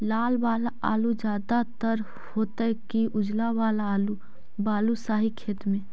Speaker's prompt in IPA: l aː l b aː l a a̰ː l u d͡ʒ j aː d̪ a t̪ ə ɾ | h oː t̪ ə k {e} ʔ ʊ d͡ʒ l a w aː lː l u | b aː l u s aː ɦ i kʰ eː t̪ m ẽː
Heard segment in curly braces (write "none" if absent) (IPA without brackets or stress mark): i